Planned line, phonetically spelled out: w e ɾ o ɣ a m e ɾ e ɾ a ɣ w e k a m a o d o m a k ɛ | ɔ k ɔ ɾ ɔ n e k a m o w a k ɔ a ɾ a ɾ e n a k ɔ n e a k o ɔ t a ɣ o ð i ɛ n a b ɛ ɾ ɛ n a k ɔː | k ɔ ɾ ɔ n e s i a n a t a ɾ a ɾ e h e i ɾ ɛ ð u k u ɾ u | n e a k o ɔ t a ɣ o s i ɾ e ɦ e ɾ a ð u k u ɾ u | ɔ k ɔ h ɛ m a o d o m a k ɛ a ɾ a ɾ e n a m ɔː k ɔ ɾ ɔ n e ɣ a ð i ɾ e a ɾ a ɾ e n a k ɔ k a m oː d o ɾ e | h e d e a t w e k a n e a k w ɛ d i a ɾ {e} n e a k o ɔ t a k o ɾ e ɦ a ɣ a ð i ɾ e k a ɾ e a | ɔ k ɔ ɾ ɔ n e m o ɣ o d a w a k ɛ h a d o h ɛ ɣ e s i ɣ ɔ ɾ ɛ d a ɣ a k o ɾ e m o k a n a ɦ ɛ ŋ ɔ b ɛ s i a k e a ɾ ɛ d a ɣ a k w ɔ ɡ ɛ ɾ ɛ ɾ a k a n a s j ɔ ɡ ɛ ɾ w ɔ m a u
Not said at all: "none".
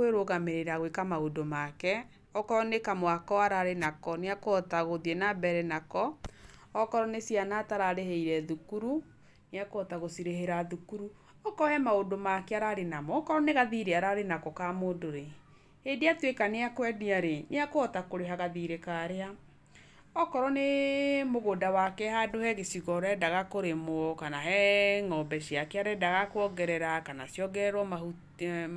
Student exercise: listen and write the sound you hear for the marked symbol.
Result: e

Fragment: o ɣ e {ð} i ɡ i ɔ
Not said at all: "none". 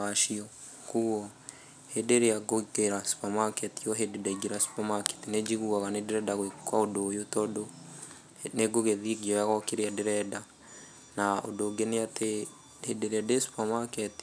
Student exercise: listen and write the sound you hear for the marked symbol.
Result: ð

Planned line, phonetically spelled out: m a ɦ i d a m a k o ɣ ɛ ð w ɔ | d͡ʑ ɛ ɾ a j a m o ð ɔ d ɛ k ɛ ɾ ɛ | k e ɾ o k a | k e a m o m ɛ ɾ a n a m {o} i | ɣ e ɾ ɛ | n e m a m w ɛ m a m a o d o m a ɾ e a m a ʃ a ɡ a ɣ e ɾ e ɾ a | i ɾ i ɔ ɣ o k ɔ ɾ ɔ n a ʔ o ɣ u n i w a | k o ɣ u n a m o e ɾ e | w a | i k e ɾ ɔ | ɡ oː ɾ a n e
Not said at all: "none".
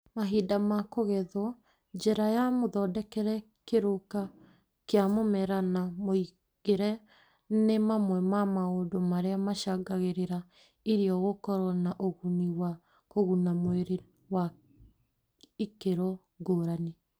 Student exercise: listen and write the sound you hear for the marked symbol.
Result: o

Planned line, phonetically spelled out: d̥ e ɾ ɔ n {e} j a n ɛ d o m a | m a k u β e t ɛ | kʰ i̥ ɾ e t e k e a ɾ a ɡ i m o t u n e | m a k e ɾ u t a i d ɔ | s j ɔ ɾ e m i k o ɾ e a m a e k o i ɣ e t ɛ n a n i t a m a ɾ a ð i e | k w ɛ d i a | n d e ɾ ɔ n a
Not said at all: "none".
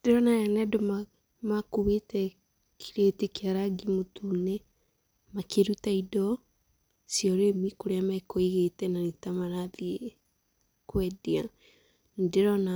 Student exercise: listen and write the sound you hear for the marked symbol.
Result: a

